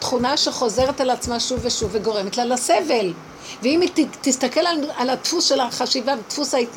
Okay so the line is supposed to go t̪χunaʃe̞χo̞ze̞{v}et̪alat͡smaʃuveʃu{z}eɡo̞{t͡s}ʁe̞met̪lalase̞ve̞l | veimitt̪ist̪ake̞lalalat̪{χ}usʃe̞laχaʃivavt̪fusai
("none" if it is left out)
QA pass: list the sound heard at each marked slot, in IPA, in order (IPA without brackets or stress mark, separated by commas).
ʁ, v, none, f